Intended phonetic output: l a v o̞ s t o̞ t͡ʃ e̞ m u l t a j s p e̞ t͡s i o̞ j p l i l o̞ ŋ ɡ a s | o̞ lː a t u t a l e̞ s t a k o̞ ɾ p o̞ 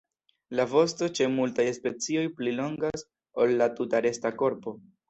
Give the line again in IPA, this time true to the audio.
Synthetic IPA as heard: l a v o̞ s t o̞ t͡ʃ e̞ m u l t a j s p e̞ t͡s i o̞ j p l i l o̞ ŋ ɡ a s | o̞ lː a t u t a ɾ e̞ s t a k o̞ ɾ p o̞

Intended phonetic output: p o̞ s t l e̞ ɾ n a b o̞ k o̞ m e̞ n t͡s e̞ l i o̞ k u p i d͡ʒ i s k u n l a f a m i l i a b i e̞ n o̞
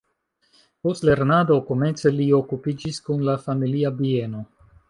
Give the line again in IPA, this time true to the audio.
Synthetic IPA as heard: p o̞ s t l e̞ ɾ n a d o̞ k o̞ m e̞ n t͡s e̞ l i o̞ k u p i d͡ʒ i s k u n l a f a m i l i a b i e̞ n o̞

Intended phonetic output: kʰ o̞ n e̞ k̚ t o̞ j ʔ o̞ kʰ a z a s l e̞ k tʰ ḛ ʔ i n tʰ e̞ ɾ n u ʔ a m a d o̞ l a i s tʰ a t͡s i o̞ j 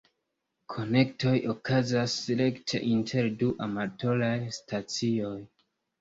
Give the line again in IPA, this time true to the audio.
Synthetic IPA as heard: kʰ o̞ n e̞ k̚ t o̞ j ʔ o̞ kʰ a z a s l e̞ k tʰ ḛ ʔ i n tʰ e̞ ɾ d u ʔ a m a t o̞ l a j s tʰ a t͡s i o̞ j

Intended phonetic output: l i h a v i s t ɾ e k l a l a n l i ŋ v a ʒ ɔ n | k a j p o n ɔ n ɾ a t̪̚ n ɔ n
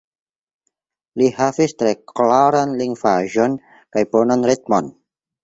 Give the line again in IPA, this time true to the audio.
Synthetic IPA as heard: l i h a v i s t ɾ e k l a ɾ a n l i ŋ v a ʒ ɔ n | k a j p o n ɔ n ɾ i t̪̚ m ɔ n

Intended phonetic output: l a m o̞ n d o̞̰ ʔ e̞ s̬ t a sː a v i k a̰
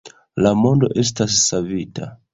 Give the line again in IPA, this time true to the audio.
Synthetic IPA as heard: l a m o̞ n d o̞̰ ʔ e̞ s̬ t a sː a v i t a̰

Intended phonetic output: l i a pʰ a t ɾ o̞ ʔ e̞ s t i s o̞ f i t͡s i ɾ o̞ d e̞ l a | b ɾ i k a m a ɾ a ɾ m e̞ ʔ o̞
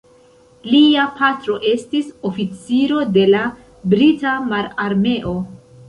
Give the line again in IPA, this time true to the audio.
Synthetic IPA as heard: l i a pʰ a t ɾ o̞ ʔ e̞ s t i s o̞ f i t͡s i ɾ o̞ d e̞ l a | b ɾ i t a m a ɾ a ɾ m e̞ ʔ o̞

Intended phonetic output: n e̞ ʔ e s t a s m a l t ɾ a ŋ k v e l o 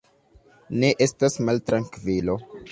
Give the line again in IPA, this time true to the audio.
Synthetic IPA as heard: n e̞ ʔ e s t a s m a l t ɾ a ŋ k v i l o

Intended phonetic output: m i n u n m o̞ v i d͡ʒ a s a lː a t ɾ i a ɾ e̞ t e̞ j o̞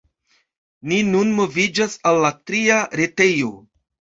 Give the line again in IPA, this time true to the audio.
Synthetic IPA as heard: n i n u n m o̞ v i d͡ʒ a s a lː a t ɾ i a ɾ e̞ t e̞ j o̞

